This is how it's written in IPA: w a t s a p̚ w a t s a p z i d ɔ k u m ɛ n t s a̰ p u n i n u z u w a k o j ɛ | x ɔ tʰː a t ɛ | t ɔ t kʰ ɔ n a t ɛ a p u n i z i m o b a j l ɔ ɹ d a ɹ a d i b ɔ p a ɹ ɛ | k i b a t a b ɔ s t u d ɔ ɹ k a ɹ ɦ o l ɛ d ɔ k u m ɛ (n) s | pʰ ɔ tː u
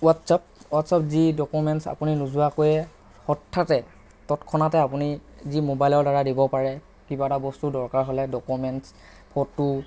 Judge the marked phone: correct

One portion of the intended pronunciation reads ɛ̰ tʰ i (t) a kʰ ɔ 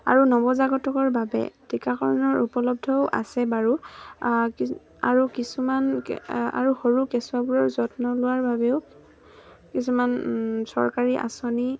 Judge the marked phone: incorrect: k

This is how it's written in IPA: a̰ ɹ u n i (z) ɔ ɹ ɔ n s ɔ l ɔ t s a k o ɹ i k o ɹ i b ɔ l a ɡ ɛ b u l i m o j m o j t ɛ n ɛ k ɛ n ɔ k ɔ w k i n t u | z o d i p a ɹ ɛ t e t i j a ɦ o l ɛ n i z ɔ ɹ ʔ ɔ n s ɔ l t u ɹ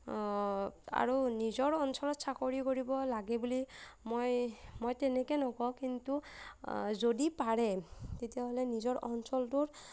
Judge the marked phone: correct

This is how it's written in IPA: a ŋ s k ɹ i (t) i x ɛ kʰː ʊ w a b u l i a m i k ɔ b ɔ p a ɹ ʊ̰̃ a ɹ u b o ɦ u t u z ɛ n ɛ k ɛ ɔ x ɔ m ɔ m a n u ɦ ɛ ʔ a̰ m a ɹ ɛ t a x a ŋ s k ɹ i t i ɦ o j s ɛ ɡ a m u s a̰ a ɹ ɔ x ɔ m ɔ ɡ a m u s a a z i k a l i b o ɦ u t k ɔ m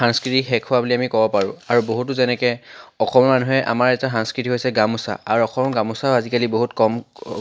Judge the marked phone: correct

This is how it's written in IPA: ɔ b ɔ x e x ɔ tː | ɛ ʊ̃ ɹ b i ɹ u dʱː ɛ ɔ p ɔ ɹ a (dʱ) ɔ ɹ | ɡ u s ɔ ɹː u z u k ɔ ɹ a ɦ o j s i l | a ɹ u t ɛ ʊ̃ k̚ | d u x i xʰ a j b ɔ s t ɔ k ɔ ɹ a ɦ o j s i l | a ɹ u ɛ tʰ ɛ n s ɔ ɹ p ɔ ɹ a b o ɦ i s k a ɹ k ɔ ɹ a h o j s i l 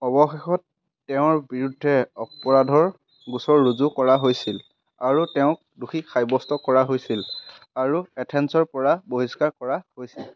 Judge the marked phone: correct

